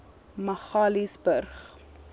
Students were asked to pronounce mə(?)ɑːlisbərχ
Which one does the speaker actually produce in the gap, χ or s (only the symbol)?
χ